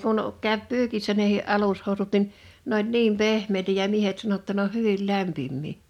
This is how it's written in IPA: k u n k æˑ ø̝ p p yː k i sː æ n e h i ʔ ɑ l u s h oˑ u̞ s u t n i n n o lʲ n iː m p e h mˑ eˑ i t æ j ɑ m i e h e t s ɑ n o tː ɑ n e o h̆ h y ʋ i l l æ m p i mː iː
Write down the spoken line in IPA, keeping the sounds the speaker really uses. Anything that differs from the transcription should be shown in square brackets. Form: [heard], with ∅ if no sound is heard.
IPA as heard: k u n k æˑ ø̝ p p yː k i sː æ n e h i ʔ ɑ l u s h oˑ u̞ s u t n i n n o lʲ n iː m p e h mˑ eˑ i t æ j ɑ m i e h e t s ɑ n o tː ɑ n e o h̆ h y ʋ i l l æ m p i mː iː